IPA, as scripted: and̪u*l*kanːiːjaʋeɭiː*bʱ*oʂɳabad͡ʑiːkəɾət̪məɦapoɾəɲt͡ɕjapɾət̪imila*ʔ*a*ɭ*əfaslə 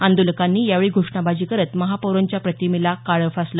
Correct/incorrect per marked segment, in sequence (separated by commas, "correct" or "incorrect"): correct, incorrect, incorrect, correct